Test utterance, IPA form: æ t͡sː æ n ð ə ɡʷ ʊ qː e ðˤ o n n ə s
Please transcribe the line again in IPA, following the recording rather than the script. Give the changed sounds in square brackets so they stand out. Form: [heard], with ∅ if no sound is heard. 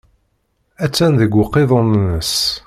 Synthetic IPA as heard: æ t͡sː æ n ð ə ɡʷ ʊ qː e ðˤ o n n ə s